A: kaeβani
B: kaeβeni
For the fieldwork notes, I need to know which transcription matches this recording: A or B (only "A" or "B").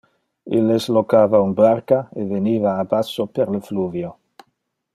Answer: B